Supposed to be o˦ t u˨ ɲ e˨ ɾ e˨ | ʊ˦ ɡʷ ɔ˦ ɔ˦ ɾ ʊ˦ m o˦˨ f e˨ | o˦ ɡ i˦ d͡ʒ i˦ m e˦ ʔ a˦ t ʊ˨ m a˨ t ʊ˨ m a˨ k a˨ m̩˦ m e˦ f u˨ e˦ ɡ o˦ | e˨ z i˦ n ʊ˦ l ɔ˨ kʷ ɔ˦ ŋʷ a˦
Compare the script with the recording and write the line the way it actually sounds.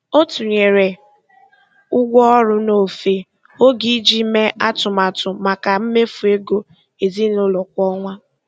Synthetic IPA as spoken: o˦ t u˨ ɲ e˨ ɾ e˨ | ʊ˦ ɡʷ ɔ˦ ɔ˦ ɾ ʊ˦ n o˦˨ f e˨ | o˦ ɡ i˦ d͡ʒ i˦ m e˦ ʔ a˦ t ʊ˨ m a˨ t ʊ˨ m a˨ k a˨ m̩˦ m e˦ f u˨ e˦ ɡ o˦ | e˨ z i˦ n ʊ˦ l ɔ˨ kʷ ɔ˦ ŋʷ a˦